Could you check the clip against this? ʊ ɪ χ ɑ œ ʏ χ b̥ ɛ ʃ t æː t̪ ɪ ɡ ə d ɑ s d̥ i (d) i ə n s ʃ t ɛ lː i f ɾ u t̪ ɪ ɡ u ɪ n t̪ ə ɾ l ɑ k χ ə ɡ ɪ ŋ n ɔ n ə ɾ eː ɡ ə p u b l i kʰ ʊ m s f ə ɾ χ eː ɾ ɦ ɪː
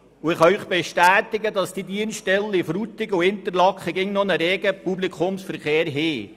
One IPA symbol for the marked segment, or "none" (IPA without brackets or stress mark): d